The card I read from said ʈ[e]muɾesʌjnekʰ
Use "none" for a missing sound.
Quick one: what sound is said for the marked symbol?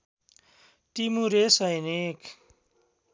i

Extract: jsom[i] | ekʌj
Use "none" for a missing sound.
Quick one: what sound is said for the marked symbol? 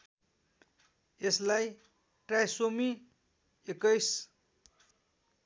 i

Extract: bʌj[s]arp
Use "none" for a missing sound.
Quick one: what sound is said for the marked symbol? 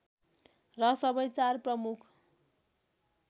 t͡s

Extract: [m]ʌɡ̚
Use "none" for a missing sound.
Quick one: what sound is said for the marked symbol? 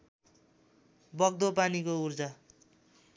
b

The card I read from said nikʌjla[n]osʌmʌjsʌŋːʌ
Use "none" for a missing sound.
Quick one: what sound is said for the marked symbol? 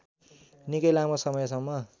m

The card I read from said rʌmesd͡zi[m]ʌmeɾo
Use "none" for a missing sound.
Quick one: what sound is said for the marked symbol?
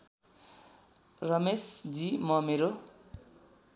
m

